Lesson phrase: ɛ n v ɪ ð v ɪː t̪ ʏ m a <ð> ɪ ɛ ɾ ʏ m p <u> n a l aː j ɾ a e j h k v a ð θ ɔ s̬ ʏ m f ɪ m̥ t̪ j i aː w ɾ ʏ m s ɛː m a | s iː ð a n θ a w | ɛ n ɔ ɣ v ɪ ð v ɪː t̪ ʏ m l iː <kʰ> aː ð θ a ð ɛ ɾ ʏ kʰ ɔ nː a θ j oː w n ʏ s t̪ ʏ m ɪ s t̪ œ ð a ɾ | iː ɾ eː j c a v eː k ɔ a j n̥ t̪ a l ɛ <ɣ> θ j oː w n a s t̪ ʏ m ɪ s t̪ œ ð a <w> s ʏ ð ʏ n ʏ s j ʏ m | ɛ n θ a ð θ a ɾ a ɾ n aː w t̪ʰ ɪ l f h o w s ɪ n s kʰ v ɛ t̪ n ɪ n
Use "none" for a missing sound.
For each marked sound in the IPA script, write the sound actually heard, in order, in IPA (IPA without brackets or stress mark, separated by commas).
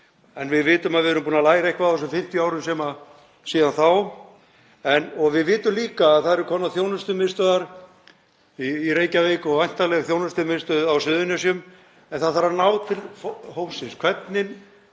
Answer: ð, uː, k, ɣ, w